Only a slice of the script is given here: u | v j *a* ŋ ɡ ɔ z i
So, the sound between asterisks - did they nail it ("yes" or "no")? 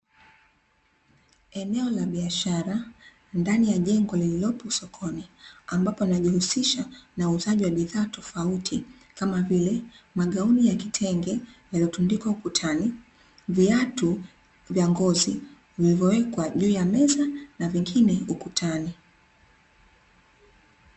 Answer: yes